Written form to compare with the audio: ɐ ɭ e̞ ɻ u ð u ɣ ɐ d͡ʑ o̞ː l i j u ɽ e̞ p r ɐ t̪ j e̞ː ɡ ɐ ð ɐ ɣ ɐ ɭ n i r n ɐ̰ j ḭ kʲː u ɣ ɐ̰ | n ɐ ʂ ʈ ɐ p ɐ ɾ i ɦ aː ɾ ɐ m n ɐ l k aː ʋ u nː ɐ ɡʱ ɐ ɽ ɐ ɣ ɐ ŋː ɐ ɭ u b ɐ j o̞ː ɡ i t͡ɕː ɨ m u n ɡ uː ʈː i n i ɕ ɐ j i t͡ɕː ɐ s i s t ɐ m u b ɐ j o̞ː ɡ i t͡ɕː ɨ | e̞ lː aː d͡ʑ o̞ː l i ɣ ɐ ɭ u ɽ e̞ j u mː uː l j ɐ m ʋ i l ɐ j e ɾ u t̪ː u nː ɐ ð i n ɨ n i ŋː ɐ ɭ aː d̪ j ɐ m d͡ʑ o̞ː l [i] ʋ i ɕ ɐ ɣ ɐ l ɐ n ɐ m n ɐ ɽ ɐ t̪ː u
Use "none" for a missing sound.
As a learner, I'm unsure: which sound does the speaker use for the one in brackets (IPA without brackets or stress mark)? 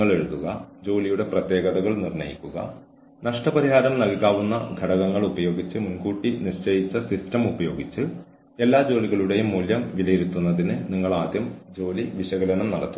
i